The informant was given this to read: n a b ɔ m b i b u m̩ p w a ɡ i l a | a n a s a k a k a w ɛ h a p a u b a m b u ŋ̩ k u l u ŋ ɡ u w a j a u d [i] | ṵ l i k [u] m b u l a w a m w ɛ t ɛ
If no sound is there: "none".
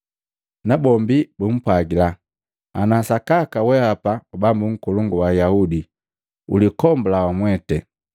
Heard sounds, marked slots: i, ɔ

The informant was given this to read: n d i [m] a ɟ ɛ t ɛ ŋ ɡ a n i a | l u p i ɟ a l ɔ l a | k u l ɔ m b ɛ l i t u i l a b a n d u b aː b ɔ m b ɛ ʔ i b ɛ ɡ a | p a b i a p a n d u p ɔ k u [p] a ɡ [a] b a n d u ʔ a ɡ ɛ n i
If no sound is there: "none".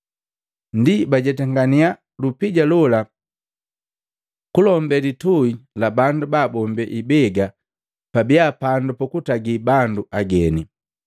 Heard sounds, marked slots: b, t, i

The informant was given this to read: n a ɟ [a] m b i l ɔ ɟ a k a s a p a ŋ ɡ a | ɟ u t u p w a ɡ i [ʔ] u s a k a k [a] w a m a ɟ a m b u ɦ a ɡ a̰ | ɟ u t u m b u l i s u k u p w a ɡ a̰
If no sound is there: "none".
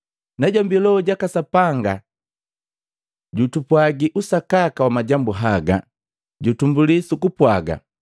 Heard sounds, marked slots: a, ʔ, a

